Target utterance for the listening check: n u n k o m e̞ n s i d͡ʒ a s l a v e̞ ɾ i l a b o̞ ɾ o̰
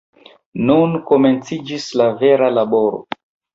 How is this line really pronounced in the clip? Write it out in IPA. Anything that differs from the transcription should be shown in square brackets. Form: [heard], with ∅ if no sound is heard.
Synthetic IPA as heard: n u n k o m e̞ n [t͡s] i d͡ʒ [i] s l a v e̞ ɾ [a] l a b o̞ ɾ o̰

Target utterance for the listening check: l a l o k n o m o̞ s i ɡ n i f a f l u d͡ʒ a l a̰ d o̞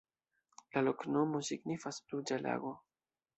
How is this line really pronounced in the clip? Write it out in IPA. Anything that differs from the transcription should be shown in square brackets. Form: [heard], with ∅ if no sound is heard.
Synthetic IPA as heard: l a l o k n o m o̞ s i ɡ n i f a [s] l u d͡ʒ a l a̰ [ɡ] o̞

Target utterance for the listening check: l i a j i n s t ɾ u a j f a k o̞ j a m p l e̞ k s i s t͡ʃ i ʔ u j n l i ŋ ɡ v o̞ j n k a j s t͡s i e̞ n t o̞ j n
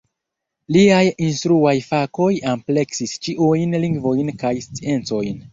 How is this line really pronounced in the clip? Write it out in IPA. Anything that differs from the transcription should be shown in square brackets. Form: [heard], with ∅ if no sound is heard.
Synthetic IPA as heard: l i a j i n s t ɾ u a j f a k o̞ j a m p l e̞ k s i s t͡ʃ i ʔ u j n l i ŋ ɡ v o̞ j n k a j s t͡s i e̞ n [t͡s] o̞ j n

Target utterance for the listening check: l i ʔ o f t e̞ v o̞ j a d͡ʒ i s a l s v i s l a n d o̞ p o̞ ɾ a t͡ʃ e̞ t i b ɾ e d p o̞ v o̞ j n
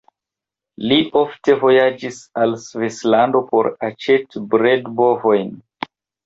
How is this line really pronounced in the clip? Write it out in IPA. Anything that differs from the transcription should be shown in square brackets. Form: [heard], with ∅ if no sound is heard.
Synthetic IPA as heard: l i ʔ o f t e̞ v o̞ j a d͡ʒ i s a l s v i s l a n d o̞ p o̞ ɾ a t͡ʃ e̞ t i b ɾ e d [b] o̞ v o̞ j n

